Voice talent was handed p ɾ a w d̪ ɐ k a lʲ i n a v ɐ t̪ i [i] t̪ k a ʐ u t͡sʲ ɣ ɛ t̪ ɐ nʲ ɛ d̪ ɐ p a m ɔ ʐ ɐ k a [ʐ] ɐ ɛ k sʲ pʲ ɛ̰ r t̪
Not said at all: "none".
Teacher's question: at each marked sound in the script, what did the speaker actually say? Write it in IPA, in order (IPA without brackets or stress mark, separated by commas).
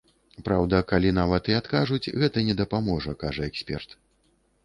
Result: a, ʐ